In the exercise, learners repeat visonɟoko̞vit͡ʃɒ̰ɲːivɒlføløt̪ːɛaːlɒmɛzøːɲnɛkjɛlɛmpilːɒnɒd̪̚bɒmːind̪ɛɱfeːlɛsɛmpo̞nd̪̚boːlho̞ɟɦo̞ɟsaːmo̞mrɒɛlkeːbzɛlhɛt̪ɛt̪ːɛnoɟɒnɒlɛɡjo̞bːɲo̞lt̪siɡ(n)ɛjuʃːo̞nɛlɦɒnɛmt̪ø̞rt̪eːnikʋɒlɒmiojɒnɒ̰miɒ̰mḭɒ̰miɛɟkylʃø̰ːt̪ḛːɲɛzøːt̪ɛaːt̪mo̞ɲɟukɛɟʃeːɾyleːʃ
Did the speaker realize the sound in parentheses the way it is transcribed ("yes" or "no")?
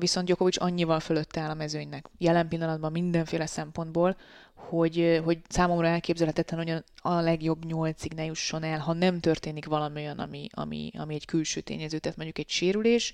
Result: yes